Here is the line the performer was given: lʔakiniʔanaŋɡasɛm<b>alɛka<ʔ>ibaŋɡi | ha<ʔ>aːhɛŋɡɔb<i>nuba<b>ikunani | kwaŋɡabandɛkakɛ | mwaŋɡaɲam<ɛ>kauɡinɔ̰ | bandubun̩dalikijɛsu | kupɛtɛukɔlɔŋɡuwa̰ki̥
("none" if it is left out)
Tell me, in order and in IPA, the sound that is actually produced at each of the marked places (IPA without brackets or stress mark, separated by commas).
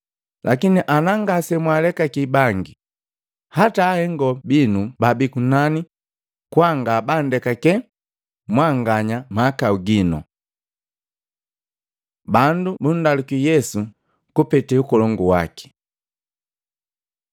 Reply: w, k, t, i, b, a